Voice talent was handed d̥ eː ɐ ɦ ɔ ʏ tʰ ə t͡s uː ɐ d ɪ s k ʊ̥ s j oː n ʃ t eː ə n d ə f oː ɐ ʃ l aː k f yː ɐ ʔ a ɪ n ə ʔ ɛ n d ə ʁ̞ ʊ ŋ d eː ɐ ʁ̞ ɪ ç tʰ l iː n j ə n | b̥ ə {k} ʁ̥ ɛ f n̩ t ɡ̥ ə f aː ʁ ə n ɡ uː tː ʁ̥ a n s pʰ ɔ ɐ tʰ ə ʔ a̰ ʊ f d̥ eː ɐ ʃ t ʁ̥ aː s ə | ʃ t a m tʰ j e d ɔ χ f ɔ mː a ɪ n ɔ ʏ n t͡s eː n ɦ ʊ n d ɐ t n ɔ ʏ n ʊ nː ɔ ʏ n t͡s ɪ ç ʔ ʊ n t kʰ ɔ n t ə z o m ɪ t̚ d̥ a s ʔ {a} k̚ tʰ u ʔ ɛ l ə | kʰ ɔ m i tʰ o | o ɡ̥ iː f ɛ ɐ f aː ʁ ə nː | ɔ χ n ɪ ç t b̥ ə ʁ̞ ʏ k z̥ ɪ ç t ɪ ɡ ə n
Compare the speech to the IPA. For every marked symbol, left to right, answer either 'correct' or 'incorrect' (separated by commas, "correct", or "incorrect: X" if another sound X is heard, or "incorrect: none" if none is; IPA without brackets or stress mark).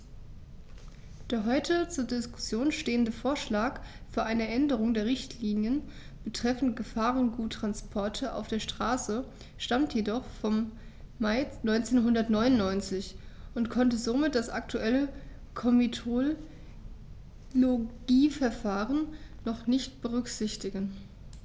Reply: incorrect: t, correct